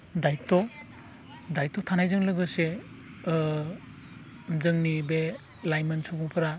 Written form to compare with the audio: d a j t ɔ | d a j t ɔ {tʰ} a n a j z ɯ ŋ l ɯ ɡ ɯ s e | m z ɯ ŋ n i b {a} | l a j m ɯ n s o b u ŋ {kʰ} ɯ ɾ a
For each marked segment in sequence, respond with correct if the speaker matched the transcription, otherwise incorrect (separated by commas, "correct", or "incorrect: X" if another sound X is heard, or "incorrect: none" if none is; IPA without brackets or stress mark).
correct, incorrect: e, incorrect: pʰ